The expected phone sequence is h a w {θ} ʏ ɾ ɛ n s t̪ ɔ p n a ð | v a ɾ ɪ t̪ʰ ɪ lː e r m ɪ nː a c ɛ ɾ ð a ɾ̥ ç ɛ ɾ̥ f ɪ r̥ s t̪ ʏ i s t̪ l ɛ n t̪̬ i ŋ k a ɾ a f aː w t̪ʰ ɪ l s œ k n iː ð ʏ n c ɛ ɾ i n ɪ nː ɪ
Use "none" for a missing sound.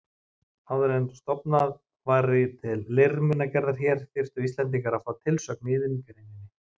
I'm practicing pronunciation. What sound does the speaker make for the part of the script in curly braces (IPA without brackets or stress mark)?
ð